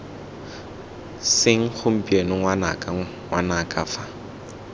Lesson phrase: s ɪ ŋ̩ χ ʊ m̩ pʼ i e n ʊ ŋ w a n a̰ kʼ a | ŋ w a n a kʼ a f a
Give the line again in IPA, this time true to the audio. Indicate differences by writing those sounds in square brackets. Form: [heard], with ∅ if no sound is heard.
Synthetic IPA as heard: s ɪ ŋ̩ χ ʊ m̩ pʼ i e n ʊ ŋ w a n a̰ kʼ a | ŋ w a n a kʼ a f a